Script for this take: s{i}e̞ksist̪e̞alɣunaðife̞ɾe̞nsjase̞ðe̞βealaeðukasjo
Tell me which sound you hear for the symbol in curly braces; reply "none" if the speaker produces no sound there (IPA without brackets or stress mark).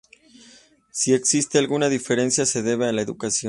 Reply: i